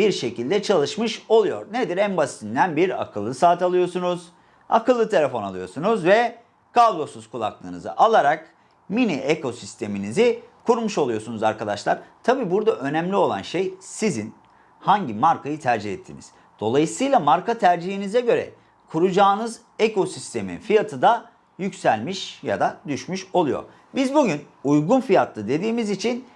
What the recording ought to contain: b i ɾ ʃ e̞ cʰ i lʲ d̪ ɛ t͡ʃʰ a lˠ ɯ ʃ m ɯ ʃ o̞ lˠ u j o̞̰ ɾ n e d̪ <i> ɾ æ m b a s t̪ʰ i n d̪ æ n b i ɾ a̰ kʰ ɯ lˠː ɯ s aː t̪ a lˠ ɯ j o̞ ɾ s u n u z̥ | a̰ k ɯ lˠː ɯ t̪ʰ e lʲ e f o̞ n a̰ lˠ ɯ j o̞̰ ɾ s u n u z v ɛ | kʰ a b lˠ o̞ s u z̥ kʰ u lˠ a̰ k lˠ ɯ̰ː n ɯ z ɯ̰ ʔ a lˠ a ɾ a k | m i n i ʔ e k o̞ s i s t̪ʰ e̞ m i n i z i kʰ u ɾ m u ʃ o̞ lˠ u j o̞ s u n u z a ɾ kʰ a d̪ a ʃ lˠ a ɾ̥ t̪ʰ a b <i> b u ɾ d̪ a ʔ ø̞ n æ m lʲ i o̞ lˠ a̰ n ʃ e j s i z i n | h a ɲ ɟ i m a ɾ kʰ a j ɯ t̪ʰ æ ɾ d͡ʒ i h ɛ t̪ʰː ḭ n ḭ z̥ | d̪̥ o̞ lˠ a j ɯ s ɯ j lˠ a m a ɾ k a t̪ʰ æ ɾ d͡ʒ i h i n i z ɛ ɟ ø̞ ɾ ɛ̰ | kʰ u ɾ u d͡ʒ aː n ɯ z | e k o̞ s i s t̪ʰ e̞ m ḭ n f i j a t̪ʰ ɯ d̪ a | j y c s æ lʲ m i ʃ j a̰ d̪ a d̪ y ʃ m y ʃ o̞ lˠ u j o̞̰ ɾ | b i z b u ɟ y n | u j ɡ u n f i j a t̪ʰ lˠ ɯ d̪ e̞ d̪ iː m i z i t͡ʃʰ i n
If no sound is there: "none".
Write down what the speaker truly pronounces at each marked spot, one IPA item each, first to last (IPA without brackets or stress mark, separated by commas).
i, iː